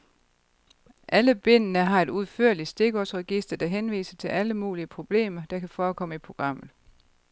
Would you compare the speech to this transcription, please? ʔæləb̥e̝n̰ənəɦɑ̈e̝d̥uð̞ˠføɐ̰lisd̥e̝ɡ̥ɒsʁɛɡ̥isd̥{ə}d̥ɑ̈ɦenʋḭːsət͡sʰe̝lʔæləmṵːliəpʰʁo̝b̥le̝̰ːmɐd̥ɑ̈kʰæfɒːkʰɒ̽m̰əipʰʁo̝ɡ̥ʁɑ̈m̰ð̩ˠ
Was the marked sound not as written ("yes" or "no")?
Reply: yes